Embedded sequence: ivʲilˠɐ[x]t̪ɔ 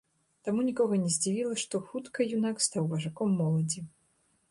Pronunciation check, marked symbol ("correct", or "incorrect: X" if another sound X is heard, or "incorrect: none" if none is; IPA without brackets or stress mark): incorrect: ʂ